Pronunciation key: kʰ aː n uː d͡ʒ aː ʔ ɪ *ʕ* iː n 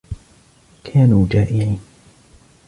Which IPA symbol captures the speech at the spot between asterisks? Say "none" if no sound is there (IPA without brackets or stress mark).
ʕ